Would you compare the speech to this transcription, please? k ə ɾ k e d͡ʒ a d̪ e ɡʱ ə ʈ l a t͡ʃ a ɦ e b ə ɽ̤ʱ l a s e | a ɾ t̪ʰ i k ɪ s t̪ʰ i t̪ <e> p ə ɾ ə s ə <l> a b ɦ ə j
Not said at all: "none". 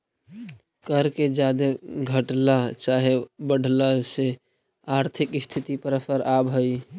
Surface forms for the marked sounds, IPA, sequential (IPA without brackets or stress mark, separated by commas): i, ɾ